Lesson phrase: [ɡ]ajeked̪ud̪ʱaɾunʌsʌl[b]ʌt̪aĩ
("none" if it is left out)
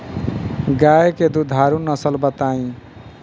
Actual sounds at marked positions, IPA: ɡ, b

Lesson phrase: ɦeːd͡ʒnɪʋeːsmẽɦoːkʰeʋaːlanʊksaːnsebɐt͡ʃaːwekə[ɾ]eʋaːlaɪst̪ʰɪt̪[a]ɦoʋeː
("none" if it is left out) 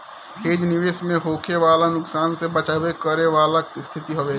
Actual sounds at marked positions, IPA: ɾ, i

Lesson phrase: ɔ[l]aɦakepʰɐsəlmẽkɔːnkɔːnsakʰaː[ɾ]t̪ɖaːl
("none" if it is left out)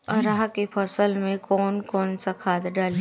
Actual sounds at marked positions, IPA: ɾ, none

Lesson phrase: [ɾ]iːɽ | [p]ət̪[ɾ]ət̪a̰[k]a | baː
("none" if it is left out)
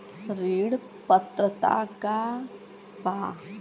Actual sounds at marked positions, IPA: ɾ, p, ɾ, k

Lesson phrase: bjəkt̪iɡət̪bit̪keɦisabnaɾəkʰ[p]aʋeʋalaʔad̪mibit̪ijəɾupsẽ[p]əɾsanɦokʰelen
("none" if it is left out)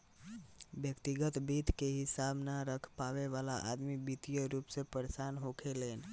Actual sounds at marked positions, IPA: p, p

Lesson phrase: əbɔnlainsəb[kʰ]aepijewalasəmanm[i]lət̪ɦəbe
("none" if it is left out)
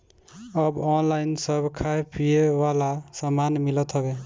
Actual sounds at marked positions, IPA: kʰ, i

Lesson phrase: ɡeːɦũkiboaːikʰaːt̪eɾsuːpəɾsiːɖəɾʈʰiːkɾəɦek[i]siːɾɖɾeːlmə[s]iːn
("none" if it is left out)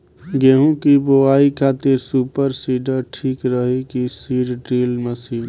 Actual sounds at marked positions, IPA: i, s

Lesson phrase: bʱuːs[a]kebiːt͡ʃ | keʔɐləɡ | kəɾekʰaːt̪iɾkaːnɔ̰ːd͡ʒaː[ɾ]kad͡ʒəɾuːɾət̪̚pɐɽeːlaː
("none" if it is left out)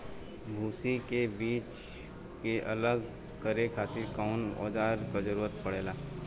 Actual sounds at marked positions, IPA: i, ɾ

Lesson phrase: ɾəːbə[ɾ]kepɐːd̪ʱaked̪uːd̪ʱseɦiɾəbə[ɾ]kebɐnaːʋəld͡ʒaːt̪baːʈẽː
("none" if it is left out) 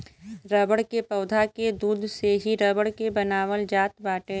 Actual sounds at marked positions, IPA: ɽ, ɽ

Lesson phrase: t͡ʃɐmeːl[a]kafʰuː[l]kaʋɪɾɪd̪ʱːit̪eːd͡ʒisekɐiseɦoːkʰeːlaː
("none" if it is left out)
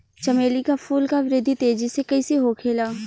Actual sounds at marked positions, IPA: i, l

